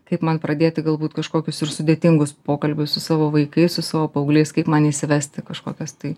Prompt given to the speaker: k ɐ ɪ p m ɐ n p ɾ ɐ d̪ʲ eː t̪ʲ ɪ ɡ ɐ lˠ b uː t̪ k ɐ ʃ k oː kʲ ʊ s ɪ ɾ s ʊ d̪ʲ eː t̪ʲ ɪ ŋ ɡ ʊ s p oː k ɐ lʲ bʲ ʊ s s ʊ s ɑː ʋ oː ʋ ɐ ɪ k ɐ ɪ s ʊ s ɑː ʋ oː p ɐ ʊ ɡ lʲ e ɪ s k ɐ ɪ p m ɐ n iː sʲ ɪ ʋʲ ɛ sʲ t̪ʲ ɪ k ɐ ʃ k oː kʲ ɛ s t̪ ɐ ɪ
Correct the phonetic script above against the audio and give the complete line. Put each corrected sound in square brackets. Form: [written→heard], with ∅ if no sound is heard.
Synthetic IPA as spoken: k ɐ ɪ p m ɐ n p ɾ ɐ d̪ʲ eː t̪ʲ ɪ ɡ ɐ lˠ b uː t̪ k ɐ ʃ k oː kʲ ʊ s ɪ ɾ s ʊ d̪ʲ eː t̪ʲ ɪ ŋ ɡ ʊ s p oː k ɐ lʲ bʲ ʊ s s ʊ s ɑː ʋ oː ʋ ɐ ɪ k ɐ ɪ s ʊ s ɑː ʋ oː p ɐ ʊ ɡ lʲ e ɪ s k ɐ ɪ p m ɐ n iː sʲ ɪ ʋʲ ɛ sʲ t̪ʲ ɪ k ɐ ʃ k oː kʲ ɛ s t̪ ɐ ɪ